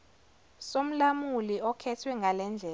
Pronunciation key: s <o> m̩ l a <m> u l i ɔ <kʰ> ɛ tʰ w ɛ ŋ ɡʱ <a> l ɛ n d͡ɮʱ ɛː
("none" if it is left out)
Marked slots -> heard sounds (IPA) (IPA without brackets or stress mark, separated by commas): o, m, kʰ, a